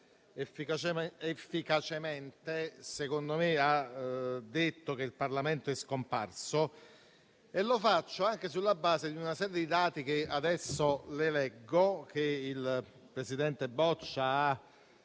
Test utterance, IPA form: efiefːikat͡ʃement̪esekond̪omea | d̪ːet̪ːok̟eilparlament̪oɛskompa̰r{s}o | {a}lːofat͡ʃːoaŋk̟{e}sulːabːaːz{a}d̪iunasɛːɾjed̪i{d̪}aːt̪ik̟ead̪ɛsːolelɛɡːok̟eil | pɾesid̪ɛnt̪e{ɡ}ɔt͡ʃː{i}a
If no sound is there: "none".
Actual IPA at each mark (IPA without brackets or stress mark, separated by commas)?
s, e, e, e, d̪, b, a